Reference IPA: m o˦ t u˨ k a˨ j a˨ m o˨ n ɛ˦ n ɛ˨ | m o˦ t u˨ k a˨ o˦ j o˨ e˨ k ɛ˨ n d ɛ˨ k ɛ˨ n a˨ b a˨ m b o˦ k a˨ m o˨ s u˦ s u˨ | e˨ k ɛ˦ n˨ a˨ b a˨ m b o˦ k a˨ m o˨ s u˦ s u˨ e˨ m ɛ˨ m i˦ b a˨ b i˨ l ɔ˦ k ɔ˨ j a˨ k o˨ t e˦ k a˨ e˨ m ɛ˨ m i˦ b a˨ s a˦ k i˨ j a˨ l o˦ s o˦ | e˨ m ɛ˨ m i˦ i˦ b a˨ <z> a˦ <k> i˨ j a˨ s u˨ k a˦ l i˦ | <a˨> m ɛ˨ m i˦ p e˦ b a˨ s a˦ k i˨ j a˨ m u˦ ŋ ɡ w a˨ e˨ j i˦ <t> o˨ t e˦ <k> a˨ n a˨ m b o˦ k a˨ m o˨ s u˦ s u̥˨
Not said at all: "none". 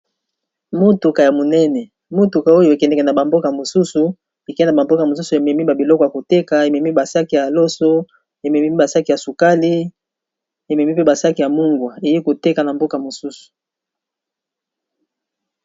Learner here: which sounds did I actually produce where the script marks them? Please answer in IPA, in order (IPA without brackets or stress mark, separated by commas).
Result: s, k, e˨, k, k